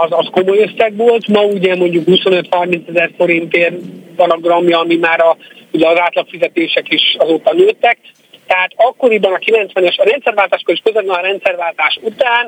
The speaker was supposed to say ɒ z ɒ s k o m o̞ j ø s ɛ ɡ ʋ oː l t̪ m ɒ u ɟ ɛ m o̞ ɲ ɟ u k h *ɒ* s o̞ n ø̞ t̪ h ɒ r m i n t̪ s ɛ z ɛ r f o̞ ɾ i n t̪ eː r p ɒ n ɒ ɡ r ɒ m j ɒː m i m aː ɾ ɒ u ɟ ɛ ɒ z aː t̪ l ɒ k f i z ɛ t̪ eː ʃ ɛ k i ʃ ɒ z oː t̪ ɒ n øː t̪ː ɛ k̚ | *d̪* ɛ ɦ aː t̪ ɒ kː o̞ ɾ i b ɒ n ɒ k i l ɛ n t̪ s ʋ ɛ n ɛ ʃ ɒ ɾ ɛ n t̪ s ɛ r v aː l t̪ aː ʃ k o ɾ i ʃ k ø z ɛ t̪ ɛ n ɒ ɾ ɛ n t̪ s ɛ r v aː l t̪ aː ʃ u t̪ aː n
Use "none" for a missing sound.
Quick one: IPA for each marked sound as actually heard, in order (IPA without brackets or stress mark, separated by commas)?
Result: u, t̪